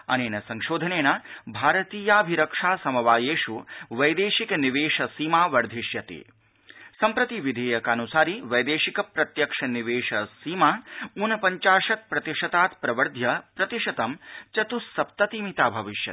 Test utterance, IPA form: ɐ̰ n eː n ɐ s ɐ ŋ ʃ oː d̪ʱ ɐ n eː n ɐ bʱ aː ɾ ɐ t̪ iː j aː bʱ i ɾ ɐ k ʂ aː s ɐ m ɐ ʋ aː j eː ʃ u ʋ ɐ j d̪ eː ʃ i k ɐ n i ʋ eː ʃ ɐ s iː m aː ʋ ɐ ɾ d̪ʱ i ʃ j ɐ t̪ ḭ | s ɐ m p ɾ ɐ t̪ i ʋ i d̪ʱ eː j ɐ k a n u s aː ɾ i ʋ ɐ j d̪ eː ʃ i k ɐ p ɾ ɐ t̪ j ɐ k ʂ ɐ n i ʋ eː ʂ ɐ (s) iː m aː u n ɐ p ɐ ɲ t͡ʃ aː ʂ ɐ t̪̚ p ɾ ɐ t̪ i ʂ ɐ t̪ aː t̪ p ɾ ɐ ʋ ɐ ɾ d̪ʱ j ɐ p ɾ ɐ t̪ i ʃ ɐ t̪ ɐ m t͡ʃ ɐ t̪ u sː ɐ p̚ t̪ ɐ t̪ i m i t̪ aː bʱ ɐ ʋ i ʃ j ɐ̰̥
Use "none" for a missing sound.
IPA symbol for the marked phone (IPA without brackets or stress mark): s